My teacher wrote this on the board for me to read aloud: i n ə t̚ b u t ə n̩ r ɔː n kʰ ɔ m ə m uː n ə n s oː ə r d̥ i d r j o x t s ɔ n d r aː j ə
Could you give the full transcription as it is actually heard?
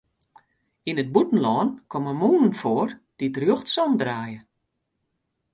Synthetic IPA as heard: i n ə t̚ b u t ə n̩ l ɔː n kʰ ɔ m ə m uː n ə n f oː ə r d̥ i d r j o x t s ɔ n d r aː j ə